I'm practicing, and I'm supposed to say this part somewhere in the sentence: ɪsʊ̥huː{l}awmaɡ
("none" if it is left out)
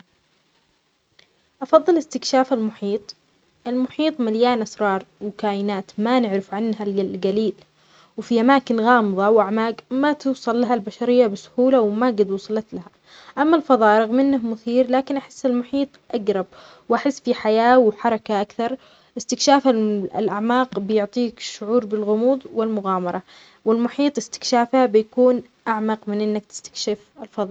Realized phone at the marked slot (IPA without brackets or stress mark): l